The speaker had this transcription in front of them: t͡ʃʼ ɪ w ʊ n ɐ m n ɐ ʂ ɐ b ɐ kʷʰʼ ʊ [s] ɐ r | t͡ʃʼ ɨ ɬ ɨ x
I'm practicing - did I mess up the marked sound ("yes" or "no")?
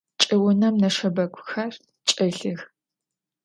yes